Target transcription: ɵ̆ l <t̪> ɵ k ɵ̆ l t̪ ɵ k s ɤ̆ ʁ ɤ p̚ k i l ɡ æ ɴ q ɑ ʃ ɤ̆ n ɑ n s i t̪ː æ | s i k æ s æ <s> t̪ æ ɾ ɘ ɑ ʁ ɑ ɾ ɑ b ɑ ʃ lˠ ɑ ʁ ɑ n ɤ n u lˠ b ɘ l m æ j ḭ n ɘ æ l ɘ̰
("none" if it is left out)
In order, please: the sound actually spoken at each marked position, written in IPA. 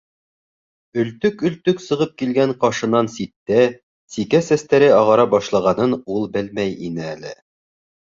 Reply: t̪, s

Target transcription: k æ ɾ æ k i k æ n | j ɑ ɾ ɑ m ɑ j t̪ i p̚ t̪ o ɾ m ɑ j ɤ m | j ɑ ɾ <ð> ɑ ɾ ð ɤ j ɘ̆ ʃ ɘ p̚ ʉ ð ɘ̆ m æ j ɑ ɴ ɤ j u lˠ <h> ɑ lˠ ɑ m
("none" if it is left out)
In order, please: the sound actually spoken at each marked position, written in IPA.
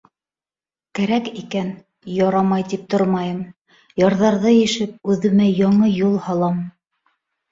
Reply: ð, h

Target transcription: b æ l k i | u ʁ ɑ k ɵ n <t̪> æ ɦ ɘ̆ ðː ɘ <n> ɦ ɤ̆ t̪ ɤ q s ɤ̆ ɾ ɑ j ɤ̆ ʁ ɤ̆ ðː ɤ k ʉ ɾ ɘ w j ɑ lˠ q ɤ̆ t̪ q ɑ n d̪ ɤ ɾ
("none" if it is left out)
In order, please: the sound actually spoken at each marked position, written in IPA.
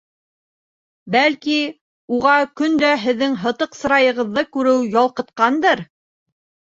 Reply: d̪, ŋ

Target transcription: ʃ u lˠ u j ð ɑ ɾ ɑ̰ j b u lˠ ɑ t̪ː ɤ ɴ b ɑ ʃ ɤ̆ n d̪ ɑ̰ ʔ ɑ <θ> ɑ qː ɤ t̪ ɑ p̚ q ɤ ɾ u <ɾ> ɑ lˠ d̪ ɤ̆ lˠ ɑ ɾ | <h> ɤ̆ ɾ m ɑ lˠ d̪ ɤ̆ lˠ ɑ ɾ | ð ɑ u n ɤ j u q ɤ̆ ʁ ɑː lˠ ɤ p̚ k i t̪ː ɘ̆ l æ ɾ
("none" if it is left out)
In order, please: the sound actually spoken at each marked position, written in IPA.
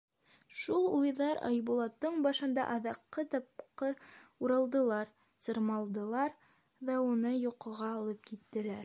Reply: ð, ɾ, s

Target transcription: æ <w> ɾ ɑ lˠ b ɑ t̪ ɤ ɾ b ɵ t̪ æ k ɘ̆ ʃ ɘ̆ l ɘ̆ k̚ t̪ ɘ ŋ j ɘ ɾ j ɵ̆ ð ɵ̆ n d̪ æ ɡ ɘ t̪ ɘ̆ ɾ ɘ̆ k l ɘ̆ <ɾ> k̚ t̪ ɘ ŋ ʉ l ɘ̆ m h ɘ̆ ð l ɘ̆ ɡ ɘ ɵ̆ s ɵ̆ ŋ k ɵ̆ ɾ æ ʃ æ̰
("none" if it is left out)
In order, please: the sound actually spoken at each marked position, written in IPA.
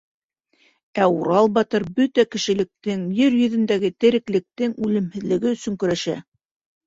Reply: u, none

